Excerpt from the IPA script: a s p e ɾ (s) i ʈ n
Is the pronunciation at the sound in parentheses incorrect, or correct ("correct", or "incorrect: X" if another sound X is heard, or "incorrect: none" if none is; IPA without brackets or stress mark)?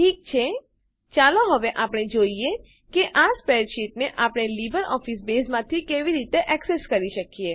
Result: incorrect: ʃ